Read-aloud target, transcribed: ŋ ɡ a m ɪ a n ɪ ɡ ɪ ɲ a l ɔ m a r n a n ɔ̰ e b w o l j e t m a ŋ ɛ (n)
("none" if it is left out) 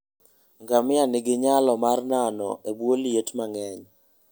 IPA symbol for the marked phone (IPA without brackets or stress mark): ɲ